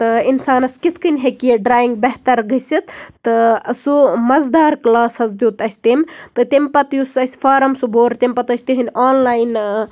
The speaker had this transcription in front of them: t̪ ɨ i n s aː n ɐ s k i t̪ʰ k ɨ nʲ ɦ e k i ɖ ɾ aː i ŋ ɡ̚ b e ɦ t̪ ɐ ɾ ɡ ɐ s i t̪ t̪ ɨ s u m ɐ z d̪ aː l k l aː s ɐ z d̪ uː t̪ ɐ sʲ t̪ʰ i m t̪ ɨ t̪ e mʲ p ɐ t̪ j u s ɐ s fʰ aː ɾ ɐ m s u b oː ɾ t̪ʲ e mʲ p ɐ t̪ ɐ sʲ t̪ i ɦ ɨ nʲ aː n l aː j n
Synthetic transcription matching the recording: t̪ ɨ i n s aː n ɐ s k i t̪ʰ k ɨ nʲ ɦ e k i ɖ ɾ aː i ŋ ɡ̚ b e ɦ t̪ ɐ ɾ ɡ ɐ s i t̪ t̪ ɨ s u m ɐ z d̪ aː ɾ k l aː s ɐ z d̪ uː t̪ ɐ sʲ t̪ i m t̪ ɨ t̪ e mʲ p ɐ t̪ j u s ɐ s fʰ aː ɾ ɐ m s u b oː ɾ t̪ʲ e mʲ p ɐ t̪ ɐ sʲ t̪ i ɦ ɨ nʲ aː n l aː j n